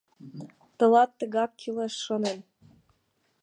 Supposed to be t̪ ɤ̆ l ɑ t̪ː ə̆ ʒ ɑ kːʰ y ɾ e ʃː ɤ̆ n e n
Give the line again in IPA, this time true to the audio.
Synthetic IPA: t̪ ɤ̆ l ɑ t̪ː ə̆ ɣ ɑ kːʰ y l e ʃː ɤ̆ n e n